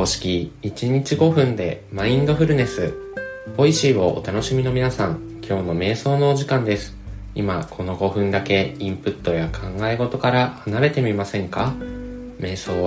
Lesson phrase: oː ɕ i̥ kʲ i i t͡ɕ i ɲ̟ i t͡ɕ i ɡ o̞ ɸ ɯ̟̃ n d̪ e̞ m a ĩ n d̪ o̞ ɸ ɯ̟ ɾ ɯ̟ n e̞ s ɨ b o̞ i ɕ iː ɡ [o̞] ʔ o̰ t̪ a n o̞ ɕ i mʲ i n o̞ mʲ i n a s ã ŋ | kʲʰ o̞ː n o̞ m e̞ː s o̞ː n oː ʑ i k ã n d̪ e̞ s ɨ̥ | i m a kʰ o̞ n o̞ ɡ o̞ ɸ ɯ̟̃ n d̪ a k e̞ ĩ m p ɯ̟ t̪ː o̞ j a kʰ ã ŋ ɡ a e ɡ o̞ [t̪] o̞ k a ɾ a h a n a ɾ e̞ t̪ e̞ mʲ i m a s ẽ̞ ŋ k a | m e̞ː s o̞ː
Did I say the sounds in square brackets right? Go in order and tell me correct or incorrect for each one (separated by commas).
correct, correct